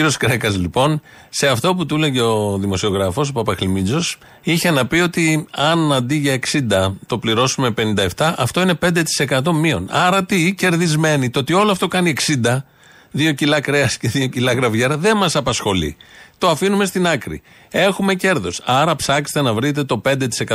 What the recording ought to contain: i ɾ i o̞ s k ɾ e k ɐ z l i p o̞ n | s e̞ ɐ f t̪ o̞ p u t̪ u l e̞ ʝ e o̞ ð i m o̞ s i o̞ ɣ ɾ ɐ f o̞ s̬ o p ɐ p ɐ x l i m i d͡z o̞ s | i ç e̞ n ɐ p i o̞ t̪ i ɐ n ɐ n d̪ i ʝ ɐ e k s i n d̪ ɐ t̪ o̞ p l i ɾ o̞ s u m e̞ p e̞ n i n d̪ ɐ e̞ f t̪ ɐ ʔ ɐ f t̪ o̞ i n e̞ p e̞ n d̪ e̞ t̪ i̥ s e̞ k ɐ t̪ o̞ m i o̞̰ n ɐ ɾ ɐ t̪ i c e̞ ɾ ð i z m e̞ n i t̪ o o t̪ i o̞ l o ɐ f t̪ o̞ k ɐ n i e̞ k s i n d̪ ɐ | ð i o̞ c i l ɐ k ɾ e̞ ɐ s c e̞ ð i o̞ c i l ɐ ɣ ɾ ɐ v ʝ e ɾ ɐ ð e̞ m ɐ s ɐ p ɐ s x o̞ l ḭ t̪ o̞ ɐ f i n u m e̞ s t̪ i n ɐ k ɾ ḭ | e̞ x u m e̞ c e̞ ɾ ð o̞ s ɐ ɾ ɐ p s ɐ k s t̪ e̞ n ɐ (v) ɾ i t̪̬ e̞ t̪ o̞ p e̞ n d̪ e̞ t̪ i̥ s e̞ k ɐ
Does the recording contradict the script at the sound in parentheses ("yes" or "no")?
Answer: no